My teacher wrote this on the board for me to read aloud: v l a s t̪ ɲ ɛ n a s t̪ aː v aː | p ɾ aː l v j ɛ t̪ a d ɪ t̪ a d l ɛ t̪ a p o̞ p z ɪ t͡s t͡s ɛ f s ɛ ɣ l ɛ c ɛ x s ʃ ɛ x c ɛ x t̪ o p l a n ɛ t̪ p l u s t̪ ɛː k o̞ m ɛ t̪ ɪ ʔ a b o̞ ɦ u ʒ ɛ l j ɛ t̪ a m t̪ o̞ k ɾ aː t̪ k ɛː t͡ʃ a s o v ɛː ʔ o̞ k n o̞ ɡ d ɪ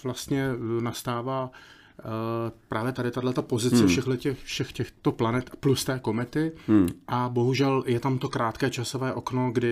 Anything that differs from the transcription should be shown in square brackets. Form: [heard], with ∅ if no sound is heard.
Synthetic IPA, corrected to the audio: v l a s t̪ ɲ ɛ n a s t̪ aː v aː | p ɾ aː [∅] v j ɛ t̪ a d ɪ t̪ a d l ɛ t̪ a p o̞ [∅] z ɪ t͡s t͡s ɛ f [ʃ] ɛ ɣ l ɛ c ɛ x [f] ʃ ɛ x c ɛ x t̪ o p l a n ɛ t̪ p l u s t̪ ɛː k o̞ m ɛ t̪ ɪ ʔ a b o̞ ɦ u ʒ ɛ l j ɛ t̪ a m t̪ o̞ k ɾ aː t̪ k ɛː t͡ʃ a s o v ɛː ʔ o̞ k n o̞ ɡ d ɪ